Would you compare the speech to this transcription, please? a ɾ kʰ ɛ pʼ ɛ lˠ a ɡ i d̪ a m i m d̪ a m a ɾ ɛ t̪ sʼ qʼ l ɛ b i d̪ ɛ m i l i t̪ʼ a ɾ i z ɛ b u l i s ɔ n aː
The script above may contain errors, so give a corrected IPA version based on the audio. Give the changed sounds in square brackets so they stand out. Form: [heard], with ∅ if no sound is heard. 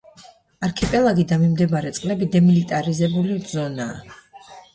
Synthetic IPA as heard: a ɾ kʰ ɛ pʼ ɛ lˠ a ɡ i d̪ a m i m d̪ [ɛ] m a ɾ ɛ t̪ sʼ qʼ l ɛ b i d̪ ɛ m i l i t̪ʼ a ɾ i z ɛ b u l i [z] ɔ n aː